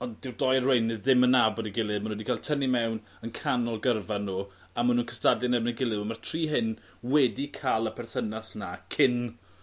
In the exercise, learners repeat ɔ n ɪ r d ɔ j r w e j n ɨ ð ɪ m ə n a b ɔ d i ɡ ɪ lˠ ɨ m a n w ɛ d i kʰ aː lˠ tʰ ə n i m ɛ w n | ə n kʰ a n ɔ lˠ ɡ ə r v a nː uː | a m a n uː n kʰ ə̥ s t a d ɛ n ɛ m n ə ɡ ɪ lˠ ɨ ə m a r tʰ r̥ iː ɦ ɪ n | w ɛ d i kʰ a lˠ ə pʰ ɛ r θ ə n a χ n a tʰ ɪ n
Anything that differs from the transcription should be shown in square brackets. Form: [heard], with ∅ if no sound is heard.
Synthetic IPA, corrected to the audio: ɔ n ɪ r d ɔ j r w e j n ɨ ð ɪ m ə n a b ɔ d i ɡ ɪ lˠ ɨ m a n w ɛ d i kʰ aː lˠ tʰ ə n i m ɛ w n | ə n kʰ a n ɔ lˠ ɡ ə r v a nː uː | a m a n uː n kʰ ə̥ s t a d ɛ n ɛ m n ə ɡ ɪ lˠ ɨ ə m a r tʰ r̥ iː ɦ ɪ n | w ɛ d i kʰ a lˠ ə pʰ ɛ r θ ə n a [s] n a [kʰ] ɪ n